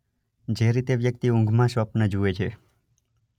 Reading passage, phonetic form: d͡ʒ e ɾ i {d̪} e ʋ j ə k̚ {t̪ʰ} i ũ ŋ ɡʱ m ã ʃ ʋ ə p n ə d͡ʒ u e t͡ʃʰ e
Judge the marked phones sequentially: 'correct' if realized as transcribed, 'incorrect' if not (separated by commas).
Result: incorrect, incorrect